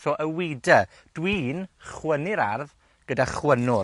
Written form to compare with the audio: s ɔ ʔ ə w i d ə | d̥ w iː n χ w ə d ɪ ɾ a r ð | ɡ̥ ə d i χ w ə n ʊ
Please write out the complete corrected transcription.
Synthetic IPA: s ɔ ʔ ə w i d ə | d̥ w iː n χ w ə n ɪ ɾ a r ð | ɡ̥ ə d a χ w ə n ʊ